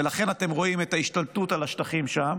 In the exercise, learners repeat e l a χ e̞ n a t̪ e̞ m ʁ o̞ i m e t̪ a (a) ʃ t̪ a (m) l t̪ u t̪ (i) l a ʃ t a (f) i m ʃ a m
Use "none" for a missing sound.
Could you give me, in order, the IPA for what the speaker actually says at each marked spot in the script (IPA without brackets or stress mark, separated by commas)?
i, none, a, χ